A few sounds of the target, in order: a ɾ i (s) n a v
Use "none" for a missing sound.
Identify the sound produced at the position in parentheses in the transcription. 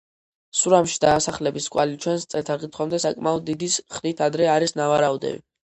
s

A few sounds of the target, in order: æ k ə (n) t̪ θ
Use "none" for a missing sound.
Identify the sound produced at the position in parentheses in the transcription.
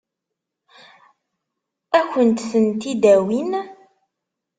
n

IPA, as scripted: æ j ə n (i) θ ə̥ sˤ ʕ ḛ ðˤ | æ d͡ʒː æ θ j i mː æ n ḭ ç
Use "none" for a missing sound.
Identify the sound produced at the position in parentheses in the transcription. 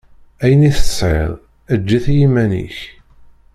i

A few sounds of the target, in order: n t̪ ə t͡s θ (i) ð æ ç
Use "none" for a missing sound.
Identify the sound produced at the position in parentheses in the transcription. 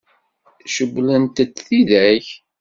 i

